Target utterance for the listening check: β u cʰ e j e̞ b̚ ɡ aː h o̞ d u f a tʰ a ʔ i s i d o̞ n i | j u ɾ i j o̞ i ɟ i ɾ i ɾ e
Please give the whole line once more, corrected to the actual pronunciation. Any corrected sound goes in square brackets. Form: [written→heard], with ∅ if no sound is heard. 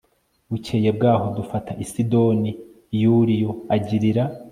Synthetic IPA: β u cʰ e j e̞ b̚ ɡ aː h o̞ d u f a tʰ a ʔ i s i d o̞ n i | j u ɾ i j o̞ [i→a] ɟ i ɾ i ɾ [e→a]